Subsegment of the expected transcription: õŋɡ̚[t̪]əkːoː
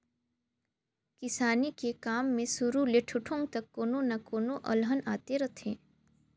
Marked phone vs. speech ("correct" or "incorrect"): correct